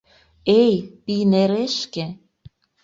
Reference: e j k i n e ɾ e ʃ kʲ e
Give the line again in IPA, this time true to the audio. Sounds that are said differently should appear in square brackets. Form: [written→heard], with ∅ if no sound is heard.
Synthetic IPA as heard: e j [k→p] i n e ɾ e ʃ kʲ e